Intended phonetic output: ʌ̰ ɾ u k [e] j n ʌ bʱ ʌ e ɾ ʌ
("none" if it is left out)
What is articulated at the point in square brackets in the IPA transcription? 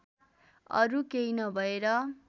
e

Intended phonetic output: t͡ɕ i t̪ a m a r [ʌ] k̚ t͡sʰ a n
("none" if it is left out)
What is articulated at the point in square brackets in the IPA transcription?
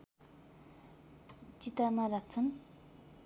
a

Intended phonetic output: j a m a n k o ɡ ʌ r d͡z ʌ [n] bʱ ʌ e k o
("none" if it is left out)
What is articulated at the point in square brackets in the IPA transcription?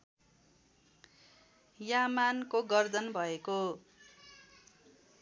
n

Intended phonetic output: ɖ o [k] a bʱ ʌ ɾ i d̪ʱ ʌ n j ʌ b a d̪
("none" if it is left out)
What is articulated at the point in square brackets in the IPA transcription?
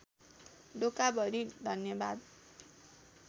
k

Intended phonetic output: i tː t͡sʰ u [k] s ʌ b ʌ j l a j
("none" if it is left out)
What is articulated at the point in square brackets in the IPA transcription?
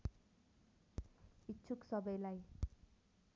k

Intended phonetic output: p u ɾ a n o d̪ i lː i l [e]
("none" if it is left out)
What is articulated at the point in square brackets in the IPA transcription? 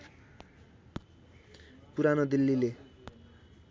e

